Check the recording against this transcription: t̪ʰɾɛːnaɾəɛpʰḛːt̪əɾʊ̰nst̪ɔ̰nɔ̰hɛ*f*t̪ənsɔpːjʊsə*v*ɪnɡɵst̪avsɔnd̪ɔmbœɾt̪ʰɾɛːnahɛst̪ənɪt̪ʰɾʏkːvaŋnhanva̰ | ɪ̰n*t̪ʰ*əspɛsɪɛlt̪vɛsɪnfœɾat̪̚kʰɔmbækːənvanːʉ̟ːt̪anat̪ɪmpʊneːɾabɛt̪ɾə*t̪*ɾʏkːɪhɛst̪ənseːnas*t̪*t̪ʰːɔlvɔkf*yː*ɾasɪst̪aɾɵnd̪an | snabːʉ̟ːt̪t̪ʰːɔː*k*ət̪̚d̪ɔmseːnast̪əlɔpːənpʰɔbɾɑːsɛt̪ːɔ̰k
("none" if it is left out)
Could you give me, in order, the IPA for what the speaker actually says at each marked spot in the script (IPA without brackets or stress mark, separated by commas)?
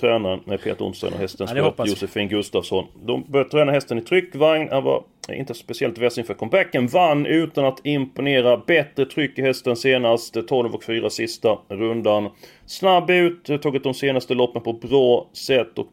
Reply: s, f, t̪, t̪ʰ, t̪, yː, ɡ